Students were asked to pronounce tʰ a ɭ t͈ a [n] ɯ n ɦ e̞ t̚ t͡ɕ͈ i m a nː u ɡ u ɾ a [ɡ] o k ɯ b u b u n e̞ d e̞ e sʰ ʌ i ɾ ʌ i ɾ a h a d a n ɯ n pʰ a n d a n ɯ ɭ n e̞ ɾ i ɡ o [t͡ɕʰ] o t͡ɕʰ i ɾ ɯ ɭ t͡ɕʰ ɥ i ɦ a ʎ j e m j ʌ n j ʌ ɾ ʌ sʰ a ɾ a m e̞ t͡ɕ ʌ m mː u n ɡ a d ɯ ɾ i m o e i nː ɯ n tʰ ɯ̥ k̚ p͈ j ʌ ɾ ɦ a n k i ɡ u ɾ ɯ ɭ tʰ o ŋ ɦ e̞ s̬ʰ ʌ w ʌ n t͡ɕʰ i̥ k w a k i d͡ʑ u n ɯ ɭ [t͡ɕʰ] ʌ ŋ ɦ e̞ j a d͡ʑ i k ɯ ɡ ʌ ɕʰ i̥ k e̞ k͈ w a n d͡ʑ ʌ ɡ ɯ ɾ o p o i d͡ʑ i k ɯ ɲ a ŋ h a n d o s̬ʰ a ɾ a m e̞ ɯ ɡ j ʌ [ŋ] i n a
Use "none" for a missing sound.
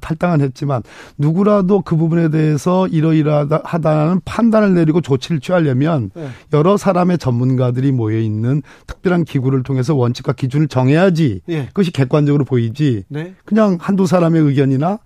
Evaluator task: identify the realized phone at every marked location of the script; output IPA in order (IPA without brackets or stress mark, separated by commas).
ŋ, d, t͡ɕ, t͡ɕ, ɲ